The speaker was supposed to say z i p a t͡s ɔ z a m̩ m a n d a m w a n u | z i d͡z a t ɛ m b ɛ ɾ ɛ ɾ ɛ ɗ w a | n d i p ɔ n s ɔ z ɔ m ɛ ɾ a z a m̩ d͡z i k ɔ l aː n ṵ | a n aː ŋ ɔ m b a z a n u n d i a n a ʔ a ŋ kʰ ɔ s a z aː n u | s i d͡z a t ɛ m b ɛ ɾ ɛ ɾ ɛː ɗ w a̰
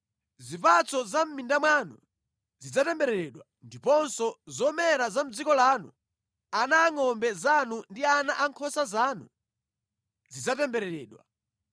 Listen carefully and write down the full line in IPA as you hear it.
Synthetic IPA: z i p a t͡s ɔ z a m̩ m i n d a m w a n u | z i d͡z a t ɛ m b ɛ ɾ ɛ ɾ ɛ ɗ w a | n d i p ɔ n s ɔ z ɔ m ɛ ɾ a z a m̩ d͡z i k ɔ l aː n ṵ | a n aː ŋ ɔ m b ɛ z a n u n d i a n a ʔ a ŋ kʰ ɔ s a z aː n u | z i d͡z a t ɛ m b ɛ ɾ ɛ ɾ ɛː ɗ w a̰